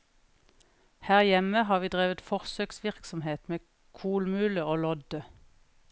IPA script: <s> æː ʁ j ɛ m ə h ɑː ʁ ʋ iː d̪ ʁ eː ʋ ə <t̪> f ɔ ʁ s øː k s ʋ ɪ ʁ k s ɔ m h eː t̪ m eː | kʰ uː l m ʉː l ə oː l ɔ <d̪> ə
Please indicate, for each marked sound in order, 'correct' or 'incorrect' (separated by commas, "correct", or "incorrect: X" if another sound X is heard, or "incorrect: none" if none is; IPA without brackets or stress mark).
incorrect: h, correct, correct